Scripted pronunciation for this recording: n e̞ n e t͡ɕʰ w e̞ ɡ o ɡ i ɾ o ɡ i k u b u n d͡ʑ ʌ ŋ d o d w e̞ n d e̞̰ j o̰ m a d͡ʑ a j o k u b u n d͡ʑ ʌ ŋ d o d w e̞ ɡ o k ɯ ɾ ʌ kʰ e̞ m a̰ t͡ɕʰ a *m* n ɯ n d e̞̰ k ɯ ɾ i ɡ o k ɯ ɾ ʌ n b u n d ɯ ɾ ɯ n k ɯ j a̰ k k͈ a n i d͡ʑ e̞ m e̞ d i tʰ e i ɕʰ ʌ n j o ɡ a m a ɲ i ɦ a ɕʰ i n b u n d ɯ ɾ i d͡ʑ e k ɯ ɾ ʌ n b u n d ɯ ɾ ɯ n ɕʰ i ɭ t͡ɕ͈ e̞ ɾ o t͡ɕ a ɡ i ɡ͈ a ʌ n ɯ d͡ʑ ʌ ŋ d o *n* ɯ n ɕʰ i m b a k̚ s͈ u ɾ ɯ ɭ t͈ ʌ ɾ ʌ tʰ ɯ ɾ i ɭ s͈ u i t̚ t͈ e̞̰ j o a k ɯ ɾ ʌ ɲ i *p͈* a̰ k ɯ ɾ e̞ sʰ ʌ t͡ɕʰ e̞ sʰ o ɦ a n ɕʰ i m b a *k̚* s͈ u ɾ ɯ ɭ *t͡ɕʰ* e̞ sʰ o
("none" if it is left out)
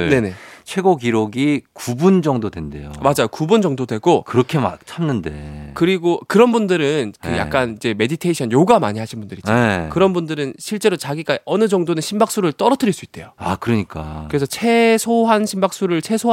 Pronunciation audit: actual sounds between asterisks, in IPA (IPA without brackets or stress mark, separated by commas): m, n, k͈, k̚, t͡ɕʰ